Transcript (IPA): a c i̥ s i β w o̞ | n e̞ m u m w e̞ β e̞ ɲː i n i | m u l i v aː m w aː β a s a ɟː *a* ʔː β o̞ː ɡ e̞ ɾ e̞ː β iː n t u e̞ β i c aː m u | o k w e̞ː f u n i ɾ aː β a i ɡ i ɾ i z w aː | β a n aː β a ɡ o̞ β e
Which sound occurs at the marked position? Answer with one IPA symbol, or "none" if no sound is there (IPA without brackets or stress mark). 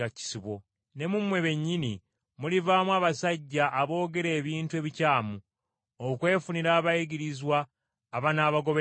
a